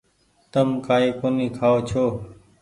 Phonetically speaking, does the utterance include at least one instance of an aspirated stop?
yes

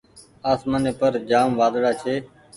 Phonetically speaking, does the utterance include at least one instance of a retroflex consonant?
yes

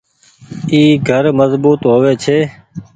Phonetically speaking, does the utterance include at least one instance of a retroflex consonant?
no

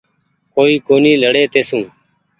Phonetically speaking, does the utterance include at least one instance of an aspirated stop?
no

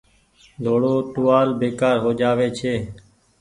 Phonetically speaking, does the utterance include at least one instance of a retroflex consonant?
yes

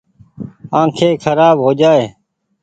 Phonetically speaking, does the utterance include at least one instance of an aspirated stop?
yes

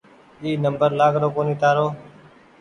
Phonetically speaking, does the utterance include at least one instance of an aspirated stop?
no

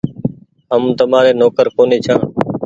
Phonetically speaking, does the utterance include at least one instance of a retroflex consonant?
no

